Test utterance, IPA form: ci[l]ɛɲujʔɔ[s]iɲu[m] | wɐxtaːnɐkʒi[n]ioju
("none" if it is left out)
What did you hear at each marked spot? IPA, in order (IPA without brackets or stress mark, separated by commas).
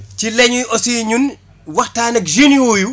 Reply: l, s, n, n